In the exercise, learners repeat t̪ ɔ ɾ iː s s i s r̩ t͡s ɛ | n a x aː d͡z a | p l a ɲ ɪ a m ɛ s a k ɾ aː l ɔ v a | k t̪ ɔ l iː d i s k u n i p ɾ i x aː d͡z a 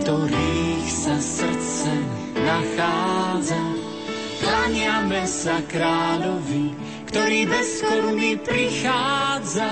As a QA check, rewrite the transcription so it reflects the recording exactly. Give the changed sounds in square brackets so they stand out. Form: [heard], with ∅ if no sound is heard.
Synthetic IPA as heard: t̪ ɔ ɾ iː [x] s [a] s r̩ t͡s ɛ | n a x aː d͡z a | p l a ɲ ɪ a m ɛ s a k ɾ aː l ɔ v [i] | k t̪ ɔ [ɾ] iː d [ɛ] s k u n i p ɾ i x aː d͡z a